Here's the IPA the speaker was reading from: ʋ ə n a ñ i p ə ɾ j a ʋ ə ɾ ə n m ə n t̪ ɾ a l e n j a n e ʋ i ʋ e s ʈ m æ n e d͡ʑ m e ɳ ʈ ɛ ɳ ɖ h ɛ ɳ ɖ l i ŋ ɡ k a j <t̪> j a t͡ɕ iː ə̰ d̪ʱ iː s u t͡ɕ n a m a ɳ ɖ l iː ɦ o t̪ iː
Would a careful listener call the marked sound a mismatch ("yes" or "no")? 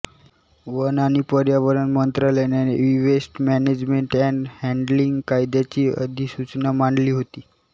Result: yes